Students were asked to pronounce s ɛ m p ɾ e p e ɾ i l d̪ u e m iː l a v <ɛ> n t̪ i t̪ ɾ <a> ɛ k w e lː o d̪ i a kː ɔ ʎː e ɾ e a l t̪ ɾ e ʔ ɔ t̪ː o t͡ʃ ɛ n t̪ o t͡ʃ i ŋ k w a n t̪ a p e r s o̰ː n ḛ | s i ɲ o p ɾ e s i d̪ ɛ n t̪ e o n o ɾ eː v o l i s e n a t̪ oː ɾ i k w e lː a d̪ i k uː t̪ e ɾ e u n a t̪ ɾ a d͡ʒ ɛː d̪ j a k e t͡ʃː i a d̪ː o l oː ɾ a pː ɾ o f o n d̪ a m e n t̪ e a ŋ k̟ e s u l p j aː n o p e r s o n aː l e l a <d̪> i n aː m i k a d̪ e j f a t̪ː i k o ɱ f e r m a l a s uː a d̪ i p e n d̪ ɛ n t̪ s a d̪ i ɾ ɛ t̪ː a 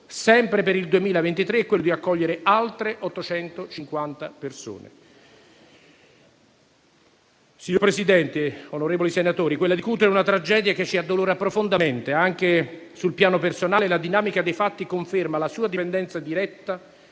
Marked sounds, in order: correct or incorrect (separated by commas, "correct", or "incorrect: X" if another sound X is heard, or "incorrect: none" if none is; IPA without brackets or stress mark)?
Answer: incorrect: e, incorrect: e, correct